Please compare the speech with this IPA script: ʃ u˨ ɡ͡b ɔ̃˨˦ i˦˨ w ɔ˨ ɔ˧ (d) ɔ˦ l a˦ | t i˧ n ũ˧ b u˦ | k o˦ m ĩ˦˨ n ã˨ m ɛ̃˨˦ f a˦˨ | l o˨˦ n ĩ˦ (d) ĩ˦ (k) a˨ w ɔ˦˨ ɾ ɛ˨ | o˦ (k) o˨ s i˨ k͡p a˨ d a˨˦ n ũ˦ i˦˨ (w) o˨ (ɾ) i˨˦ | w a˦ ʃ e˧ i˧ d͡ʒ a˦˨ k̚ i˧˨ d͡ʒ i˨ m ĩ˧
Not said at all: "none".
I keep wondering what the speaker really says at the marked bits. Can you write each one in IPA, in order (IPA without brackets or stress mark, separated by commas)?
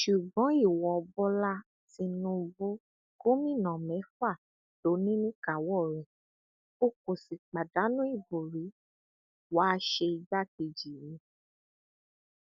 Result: b, n, k, k, b, ɾ